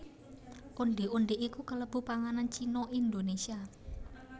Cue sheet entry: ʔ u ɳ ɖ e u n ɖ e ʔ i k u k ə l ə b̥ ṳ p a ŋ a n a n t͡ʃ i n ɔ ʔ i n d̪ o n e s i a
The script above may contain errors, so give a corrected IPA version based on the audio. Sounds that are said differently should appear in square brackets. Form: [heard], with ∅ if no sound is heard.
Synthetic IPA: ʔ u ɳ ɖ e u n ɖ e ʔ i k u k ə l ə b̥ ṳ p a ŋ a n a n t͡ʃ i n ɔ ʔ i n d̪ o n e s i a